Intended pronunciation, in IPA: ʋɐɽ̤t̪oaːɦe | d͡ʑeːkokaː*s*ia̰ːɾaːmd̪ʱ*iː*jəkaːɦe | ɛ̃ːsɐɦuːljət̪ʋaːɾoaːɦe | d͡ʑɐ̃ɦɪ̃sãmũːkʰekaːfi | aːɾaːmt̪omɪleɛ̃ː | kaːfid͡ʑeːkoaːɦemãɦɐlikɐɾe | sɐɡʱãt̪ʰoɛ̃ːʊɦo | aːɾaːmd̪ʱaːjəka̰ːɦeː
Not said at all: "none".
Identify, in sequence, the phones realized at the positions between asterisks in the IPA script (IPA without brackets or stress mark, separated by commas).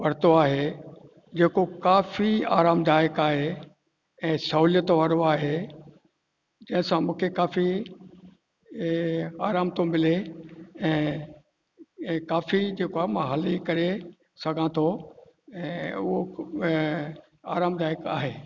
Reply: f, aː